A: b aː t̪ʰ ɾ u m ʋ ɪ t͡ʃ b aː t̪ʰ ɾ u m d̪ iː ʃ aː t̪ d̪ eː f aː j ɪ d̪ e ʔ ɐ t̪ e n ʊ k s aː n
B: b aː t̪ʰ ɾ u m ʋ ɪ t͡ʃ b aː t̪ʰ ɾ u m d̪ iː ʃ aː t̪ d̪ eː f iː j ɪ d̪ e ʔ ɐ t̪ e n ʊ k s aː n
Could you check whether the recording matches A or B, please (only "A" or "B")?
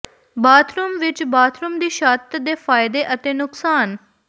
A